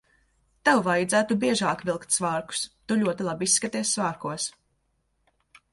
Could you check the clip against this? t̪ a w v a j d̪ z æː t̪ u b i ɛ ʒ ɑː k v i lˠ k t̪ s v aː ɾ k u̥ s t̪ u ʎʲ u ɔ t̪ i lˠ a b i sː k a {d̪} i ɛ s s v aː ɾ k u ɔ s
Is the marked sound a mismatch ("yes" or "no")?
yes